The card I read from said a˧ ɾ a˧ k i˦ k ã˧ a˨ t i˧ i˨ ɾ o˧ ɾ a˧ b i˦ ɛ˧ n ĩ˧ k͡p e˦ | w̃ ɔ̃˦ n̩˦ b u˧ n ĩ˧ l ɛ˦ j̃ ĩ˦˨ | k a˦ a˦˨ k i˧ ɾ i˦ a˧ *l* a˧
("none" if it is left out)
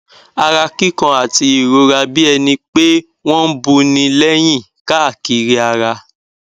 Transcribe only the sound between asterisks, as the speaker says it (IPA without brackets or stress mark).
ɾ